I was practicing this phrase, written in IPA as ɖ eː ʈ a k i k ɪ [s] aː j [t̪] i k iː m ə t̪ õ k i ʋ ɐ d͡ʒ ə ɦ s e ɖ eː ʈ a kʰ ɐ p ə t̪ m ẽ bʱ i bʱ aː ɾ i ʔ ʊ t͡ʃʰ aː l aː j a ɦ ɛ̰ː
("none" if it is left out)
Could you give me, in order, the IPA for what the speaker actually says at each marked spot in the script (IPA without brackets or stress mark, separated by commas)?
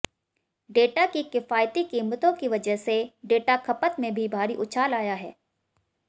f, t̪